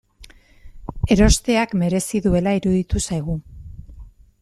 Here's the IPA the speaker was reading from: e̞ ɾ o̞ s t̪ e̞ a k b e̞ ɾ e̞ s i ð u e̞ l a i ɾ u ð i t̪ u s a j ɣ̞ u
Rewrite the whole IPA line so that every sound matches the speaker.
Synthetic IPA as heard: e̞ ɾ o̞ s t̪ e̞ a k m e̞ ɾ e̞ s i ð u e̞ l a i ɾ u ð i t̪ u s a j ɣ̞ u